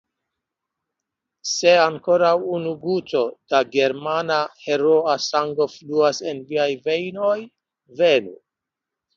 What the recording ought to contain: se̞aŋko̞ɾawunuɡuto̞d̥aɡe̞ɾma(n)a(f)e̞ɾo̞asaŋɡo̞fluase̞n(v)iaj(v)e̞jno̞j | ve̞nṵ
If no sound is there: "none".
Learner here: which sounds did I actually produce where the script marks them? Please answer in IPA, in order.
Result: n, h, v, v

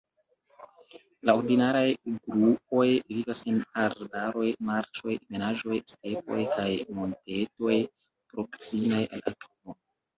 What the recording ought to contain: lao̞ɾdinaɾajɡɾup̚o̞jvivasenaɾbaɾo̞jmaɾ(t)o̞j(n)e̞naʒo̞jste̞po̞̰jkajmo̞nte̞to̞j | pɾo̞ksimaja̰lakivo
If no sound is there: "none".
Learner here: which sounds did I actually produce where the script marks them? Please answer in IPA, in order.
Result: t͡ʃ, m

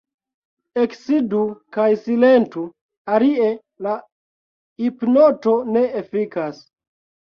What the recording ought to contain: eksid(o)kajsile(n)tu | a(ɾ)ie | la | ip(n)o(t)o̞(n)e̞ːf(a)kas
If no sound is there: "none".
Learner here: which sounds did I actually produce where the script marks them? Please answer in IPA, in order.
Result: u, n, l, n, t, n, i

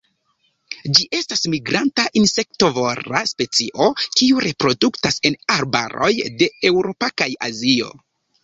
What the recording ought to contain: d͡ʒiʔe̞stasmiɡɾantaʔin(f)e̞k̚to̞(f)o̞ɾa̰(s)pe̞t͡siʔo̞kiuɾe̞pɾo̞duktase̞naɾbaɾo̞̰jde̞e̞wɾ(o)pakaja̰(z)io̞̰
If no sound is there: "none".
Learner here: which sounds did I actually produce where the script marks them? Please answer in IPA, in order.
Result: s, v, s, o, z

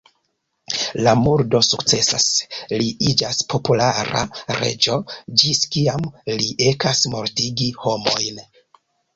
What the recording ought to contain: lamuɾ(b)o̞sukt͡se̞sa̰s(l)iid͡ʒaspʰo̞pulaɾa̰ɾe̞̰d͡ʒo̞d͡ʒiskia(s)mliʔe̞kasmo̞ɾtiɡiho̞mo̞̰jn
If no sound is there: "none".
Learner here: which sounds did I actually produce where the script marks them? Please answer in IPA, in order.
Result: d, l, none

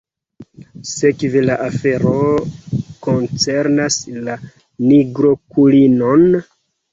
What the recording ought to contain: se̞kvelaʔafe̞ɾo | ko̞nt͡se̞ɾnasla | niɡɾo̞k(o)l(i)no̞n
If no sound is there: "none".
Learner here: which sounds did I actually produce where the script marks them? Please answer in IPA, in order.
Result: u, i

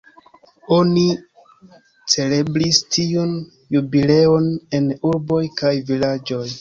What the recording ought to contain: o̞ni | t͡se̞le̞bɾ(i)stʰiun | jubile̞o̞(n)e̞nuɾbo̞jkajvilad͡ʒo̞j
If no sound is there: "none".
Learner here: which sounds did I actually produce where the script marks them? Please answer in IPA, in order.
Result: i, n

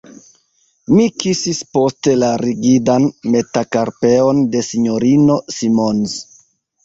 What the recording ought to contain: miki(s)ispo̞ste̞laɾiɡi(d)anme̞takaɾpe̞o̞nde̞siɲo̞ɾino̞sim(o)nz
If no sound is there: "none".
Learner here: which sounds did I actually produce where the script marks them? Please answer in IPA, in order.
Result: s, d, o

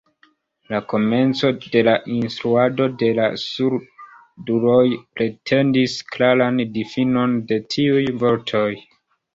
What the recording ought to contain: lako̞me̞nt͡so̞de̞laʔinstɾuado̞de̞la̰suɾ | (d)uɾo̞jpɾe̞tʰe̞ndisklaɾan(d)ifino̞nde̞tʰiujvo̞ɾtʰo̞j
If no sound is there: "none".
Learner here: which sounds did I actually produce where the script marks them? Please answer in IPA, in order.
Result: d, d

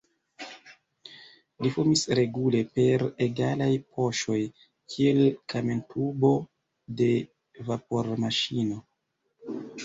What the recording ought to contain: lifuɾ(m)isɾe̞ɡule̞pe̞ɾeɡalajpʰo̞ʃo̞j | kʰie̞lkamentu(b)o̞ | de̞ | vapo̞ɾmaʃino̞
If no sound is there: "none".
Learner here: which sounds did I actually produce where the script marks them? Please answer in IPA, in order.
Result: m, b

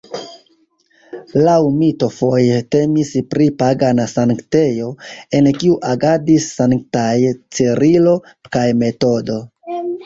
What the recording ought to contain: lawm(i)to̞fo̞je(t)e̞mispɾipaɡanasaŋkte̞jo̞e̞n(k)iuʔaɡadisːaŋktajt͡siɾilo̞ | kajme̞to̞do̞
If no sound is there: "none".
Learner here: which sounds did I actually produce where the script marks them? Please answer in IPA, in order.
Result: i, t, k

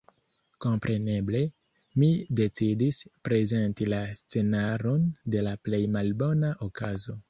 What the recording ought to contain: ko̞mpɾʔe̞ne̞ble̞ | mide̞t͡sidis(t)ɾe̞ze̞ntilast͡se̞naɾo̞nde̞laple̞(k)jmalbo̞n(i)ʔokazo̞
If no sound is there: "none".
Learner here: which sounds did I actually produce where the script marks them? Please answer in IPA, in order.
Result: p, none, a

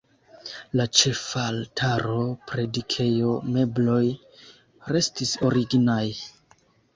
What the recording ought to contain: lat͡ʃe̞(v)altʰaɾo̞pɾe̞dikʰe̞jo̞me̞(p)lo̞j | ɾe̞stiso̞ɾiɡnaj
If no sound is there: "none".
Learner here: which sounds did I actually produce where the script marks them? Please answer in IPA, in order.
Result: f, b

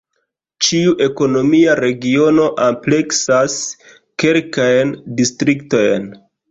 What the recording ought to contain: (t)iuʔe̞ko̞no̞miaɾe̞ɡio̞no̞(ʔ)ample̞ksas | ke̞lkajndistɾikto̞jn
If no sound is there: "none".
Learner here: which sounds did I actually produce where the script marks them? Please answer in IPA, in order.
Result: t͡ʃ, ʔ

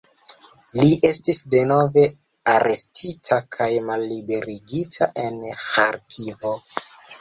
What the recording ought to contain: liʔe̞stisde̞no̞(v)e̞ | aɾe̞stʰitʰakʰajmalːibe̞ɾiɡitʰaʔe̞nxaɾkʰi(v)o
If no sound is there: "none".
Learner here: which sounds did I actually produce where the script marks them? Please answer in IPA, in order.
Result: v, v

